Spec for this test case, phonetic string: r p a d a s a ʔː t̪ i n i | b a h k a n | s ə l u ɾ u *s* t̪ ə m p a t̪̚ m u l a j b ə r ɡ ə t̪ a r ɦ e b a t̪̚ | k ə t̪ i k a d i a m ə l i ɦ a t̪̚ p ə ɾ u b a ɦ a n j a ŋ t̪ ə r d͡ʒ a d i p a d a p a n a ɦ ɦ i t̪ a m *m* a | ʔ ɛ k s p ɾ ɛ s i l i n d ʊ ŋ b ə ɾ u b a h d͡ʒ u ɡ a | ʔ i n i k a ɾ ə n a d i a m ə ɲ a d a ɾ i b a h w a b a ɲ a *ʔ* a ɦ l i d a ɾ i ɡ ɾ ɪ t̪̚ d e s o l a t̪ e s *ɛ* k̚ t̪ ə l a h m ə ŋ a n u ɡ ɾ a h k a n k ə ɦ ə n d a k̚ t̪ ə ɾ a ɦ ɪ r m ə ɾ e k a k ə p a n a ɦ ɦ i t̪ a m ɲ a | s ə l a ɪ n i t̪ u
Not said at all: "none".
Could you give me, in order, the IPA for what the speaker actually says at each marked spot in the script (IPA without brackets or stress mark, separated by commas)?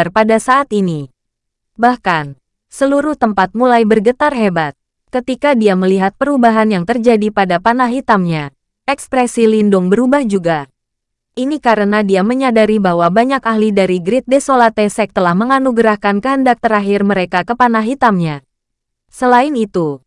h, ɲ, k, ɛ